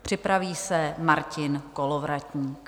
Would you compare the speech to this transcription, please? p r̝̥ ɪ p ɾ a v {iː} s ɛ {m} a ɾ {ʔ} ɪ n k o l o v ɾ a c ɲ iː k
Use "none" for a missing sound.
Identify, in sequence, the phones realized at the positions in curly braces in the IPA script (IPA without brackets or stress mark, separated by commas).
iː, m, c